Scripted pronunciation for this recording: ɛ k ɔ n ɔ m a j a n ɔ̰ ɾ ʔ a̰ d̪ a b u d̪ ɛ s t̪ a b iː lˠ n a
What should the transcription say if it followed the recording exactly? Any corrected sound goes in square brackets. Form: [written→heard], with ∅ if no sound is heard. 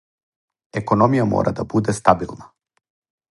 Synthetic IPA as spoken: ɛ k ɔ n ɔ m [a→i] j a [n→m] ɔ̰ ɾ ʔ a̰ d̪ a b u d̪ ɛ s t̪ a b [iː→i] lˠ n a